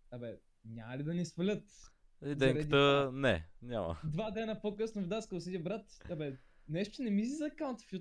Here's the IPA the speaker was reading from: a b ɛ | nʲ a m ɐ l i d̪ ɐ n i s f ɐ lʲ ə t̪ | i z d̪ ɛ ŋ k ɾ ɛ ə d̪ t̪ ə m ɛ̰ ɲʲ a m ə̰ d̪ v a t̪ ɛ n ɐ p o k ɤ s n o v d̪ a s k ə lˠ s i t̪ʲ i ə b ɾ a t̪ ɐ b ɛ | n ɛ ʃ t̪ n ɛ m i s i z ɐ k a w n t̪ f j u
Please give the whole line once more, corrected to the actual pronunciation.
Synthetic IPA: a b ɛ | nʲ a m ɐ l i d̪ ɐ n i s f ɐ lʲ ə t̪ | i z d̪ ɛ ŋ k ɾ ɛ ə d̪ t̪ ə n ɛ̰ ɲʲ a m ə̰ d̪ v a d̪ ɛ n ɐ p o k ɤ s n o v d̪ a s k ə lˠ s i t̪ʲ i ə b ɾ a t̪ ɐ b ɛ | n ɛ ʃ t̪ n ɛ m i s i z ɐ k a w n t̪ f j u